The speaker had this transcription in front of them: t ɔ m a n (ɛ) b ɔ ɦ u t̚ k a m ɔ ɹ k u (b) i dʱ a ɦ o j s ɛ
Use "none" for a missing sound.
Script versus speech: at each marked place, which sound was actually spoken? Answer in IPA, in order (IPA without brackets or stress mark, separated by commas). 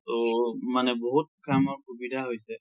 ɛ, b